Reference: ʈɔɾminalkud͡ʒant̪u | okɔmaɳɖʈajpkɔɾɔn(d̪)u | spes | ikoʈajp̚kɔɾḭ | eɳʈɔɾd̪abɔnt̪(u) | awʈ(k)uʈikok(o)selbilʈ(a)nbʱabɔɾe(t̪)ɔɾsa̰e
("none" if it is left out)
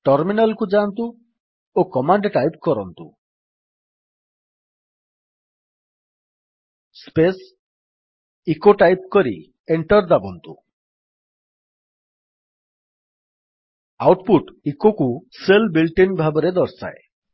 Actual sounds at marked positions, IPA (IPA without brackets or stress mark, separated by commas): t̪, u, p, u, i, d̪